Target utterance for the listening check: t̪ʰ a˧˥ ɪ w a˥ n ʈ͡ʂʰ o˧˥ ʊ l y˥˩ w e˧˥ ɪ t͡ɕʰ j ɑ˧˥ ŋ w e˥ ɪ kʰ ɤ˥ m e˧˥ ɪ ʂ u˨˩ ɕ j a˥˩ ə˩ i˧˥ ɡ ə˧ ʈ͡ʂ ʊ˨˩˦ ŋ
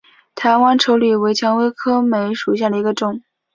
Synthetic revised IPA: t̪ʰ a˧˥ ɪ w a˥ n ʈ͡ʂʰ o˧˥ ʊ l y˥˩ w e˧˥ ɪ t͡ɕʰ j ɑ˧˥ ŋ w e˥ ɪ kʰ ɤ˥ m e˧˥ ɪ ʂ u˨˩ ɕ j a˥˩ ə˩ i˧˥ ɡ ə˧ ʈ͡ʂ ʊ˥˩ ŋ